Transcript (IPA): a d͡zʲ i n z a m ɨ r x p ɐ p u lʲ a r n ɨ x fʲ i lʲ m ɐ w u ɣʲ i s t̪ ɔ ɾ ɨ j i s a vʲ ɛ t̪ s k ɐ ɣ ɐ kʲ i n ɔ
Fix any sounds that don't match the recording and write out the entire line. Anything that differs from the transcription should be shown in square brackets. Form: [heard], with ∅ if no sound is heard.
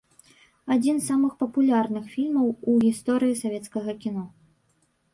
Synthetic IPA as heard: a d͡zʲ i n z a m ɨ [∅] x p ɐ p u lʲ a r n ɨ x fʲ i lʲ m ɐ w u ɣʲ i s t̪ ɔ ɾ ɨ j i s a vʲ ɛ t̪ s k ɐ ɣ ɐ kʲ i n ɔ